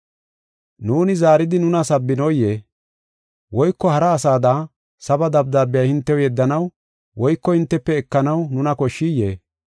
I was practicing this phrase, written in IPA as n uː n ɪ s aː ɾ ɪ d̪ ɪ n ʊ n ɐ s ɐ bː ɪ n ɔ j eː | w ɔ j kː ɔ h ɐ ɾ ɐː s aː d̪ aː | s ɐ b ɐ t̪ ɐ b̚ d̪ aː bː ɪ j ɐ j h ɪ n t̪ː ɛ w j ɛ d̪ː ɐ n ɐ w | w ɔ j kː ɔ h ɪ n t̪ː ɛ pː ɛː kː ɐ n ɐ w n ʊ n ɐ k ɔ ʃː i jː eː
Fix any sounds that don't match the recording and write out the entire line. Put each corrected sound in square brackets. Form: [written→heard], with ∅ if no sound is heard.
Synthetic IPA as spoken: n uː n ɪ [s→z] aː ɾ ɪ d̪ ɪ n ʊ n ɐ s ɐ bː ɪ n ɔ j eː | w ɔ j kː ɔ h ɐ ɾ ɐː s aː d̪ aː | s ɐ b ɐ [t̪→d̪] ɐ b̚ d̪ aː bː ɪ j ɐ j h ɪ n t̪ː ɛ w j ɛ d̪ː ɐ n ɐ w | w ɔ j kː ɔ h ɪ n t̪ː ɛ pː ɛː kː ɐ n ɐ w n ʊ n ɐ k ɔ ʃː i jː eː